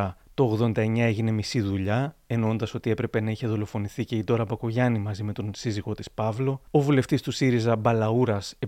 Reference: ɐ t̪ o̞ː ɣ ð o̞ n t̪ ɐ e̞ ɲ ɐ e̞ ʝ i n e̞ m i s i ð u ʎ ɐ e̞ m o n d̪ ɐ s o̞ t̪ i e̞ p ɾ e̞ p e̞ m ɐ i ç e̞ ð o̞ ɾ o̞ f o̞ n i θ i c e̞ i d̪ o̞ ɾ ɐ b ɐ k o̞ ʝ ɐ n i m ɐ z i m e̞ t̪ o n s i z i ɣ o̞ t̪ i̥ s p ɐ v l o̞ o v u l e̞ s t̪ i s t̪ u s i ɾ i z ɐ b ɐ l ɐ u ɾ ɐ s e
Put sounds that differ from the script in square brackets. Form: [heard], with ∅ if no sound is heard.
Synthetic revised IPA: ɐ t̪ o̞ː ɣ ð o̞ n [d̪] ɐ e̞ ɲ ɐ e̞ ʝ i n e̞ m i s i ð u ʎ ɐ e̞ [n] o n d̪ ɐ s o̞ t̪ i e̞ p ɾ e̞ p e̞ [n] ɐ i ç e̞ ð o̞ [l] o̞ f o̞ n i θ i c e̞ i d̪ o̞ ɾ ɐ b ɐ k o̞ ʝ ɐ n i m ɐ z i m e̞ t̪ o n s i z i ɣ o̞ t̪ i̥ s p ɐ v l o̞ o v u l e̞ [f] t̪ i s t̪ u s i ɾ i z ɐ b ɐ l ɐ u ɾ ɐ s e